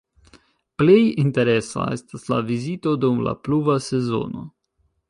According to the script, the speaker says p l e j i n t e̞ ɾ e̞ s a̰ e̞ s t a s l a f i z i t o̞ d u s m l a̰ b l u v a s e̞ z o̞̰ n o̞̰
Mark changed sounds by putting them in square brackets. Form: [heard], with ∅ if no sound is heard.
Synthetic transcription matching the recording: p l e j i n t e̞ ɾ e̞ s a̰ e̞ s t a s l a [v] i z i t o̞ d u [∅] m l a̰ [p] l u v a s e̞ z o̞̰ n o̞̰